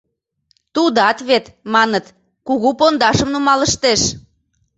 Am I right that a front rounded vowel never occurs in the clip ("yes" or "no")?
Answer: yes